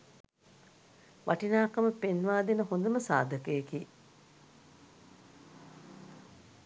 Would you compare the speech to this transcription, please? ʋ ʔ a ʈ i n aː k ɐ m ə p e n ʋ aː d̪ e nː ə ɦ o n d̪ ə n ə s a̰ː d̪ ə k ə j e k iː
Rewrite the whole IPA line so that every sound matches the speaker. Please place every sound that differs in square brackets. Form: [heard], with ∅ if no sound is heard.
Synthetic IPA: ʋ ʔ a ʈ i n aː k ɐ m ə p e n ʋ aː d̪ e [n] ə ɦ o n d̪ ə [m] ə s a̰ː d̪ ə k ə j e k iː